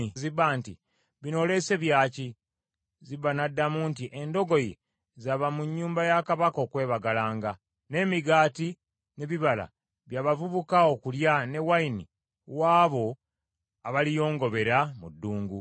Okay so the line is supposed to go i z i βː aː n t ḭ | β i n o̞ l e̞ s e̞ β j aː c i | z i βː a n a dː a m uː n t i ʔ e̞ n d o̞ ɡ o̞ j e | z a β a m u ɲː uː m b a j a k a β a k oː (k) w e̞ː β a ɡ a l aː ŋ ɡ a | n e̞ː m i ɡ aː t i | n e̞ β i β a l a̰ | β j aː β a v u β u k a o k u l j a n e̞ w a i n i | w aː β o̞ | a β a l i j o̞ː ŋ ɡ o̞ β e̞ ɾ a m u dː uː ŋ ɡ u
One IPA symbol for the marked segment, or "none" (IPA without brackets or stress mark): k